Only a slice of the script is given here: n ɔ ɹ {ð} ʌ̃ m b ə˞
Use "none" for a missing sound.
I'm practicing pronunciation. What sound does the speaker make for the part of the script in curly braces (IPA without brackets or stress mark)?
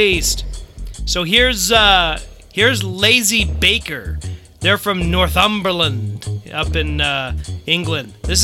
θ